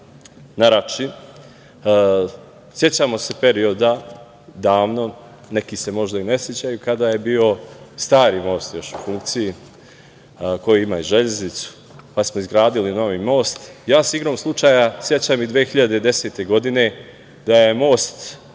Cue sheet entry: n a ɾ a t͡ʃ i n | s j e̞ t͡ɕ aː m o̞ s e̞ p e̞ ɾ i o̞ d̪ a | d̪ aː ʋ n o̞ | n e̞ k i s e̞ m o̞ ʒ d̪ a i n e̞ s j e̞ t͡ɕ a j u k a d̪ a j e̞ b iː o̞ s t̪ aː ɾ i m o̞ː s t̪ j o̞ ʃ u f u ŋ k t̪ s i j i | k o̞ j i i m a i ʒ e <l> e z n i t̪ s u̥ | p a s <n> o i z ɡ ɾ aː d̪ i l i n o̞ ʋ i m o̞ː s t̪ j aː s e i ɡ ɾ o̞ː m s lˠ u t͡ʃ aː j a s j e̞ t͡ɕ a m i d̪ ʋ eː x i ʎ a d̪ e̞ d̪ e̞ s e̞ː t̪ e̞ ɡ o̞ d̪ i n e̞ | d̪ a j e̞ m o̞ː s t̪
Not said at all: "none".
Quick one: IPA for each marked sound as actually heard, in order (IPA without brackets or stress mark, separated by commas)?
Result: ʎ, m